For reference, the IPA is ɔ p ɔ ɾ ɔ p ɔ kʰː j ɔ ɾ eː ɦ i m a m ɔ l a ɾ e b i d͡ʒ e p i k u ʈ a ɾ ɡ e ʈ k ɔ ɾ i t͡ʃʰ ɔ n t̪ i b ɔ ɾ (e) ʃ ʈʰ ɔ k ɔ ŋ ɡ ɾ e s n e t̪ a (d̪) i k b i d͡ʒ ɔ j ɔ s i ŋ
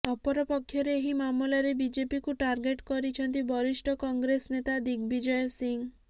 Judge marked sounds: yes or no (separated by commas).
no, yes